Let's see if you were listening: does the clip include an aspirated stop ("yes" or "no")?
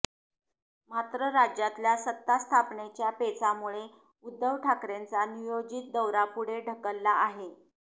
yes